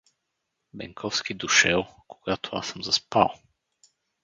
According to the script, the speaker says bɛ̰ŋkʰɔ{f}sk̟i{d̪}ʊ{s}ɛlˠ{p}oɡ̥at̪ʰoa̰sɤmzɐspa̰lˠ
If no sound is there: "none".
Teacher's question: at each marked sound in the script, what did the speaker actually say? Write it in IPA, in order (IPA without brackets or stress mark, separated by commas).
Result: f, d̪, ʃ, k